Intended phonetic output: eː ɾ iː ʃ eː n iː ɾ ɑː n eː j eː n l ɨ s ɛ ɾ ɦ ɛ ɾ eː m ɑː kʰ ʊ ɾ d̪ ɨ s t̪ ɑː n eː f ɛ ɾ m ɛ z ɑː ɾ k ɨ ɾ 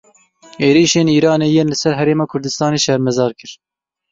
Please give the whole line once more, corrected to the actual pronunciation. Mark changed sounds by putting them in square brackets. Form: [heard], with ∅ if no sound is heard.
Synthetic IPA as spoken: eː ɾ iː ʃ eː n iː ɾ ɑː n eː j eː n l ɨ s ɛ ɾ ɦ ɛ ɾ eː m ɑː kʰ ʊ ɾ d̪ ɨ s t̪ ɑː n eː [ʃ] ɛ ɾ m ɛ z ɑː ɾ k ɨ ɾ